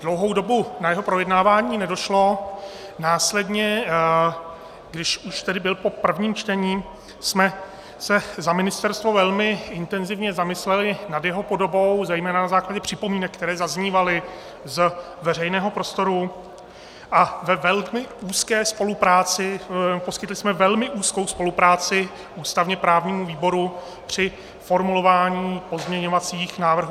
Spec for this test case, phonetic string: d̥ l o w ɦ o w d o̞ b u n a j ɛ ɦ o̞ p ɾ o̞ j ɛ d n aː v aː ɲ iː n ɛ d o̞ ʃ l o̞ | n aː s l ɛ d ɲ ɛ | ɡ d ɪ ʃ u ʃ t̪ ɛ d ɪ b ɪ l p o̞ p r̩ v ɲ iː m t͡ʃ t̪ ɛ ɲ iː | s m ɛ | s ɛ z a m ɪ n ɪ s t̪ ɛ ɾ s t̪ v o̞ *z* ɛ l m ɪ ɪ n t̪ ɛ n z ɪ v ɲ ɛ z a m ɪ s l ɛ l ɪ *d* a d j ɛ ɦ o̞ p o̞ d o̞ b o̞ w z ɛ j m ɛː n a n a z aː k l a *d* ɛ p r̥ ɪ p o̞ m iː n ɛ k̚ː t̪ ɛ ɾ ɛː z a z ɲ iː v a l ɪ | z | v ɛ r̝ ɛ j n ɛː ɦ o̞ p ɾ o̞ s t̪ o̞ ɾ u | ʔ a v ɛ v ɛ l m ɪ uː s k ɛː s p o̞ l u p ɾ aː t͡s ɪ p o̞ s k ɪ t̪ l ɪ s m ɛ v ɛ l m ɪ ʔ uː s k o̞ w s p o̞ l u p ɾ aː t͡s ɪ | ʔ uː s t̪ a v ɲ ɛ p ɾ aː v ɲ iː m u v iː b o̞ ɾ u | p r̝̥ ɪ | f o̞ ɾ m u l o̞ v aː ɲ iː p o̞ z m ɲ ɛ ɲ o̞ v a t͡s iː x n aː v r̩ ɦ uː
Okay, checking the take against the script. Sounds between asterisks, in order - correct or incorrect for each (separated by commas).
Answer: incorrect, incorrect, incorrect